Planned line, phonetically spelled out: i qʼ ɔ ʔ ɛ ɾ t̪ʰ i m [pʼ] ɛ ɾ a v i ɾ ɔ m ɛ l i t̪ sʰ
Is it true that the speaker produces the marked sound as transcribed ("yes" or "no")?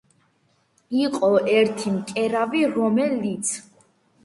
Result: no